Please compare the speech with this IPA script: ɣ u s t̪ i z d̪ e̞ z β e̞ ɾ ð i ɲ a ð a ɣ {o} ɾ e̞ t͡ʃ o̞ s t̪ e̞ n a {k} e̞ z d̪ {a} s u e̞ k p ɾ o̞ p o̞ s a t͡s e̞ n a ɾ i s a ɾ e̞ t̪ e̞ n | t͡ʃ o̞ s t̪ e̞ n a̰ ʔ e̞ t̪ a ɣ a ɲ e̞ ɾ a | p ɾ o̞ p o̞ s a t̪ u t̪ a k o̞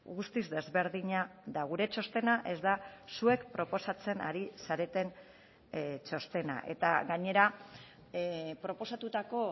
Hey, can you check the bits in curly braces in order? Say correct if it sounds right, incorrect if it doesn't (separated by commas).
incorrect, incorrect, correct